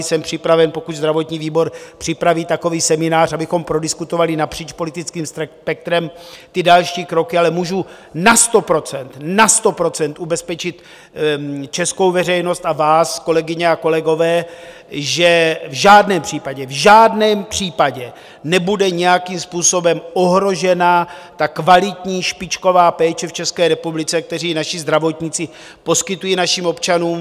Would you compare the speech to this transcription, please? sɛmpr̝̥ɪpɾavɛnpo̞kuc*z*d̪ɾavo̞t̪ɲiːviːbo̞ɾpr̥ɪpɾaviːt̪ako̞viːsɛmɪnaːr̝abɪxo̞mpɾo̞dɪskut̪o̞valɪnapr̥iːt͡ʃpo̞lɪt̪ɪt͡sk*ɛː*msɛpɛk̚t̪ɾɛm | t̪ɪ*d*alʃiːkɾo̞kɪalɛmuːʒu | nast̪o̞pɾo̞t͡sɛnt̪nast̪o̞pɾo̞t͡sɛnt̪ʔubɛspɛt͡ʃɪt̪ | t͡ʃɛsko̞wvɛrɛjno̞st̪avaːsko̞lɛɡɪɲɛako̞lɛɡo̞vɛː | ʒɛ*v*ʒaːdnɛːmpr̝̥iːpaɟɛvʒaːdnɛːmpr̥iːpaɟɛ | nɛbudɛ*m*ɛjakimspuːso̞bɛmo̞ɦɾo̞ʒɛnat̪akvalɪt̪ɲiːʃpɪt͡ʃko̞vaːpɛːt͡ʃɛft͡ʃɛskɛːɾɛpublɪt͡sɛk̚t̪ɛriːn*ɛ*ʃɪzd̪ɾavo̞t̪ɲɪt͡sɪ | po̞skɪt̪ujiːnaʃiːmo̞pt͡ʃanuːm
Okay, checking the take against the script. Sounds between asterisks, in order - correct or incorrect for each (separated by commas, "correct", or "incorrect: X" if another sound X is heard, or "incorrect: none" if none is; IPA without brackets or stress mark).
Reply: correct, incorrect: iː, correct, correct, incorrect: ɲ, incorrect: a